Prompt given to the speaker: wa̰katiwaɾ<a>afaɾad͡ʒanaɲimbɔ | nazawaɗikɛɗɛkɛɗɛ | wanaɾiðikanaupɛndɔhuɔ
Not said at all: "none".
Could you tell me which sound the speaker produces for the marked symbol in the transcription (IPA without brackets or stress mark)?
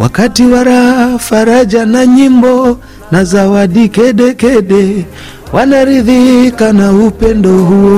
a